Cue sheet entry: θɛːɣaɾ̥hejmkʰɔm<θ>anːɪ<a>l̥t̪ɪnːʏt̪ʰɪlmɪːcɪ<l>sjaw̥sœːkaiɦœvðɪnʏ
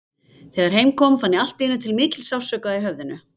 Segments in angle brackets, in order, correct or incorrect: incorrect, correct, correct

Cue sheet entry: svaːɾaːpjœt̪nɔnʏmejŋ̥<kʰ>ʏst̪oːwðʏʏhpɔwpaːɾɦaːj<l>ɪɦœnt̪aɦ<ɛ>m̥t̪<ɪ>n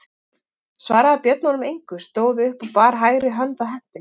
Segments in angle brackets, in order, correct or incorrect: incorrect, incorrect, correct, correct

